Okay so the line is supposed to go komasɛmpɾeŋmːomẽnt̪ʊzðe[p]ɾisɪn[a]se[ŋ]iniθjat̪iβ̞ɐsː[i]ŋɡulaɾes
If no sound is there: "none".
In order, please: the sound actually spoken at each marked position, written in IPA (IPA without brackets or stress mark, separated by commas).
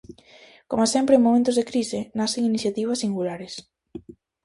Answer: k, a, ŋ, i